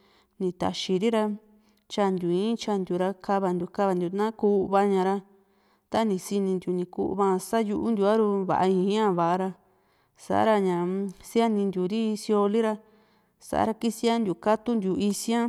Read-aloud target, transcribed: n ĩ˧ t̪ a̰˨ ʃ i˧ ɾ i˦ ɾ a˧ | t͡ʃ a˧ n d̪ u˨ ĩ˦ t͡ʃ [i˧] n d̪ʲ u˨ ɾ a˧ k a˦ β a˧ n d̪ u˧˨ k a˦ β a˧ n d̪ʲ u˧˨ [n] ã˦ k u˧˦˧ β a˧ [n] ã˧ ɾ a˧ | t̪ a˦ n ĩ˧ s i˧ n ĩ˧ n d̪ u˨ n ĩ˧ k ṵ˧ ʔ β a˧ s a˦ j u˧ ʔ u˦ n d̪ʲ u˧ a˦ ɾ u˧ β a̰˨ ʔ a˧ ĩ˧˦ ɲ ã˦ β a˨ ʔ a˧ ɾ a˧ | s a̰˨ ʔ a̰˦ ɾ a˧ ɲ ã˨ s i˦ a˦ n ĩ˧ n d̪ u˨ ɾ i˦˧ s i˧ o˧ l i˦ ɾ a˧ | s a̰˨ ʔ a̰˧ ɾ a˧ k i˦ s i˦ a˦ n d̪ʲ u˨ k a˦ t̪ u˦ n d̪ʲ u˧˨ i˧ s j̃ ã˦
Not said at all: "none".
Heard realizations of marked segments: a˧, n, ɲ

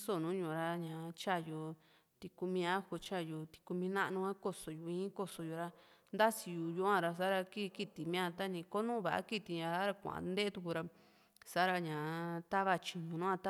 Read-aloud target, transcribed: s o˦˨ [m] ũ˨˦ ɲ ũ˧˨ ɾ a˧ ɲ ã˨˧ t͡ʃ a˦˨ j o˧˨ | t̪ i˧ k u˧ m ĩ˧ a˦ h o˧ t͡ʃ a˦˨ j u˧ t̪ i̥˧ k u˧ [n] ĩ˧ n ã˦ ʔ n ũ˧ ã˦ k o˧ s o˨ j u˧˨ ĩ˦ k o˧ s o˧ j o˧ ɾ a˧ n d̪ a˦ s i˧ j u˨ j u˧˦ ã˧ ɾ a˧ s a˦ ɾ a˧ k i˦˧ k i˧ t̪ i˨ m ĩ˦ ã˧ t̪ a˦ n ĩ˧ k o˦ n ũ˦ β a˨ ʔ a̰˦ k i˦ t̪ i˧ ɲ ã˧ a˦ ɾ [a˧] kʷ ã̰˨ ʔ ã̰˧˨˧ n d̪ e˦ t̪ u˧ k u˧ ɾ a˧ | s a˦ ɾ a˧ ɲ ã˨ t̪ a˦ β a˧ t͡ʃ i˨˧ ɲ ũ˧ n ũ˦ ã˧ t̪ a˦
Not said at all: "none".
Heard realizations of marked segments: n, m, a˧

